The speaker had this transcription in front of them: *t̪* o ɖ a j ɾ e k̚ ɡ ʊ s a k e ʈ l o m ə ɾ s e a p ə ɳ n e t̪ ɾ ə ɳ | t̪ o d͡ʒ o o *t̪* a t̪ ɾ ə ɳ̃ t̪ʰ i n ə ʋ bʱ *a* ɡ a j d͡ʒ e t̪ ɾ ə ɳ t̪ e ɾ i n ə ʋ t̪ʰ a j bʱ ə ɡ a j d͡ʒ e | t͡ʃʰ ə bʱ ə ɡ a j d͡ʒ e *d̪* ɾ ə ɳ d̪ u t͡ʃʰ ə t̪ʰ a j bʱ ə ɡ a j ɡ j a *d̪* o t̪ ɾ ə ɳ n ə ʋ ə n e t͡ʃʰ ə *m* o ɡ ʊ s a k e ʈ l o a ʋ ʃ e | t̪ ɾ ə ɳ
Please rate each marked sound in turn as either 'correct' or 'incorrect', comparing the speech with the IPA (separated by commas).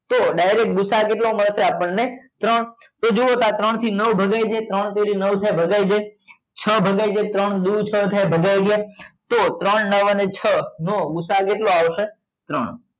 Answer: correct, correct, incorrect, incorrect, incorrect, incorrect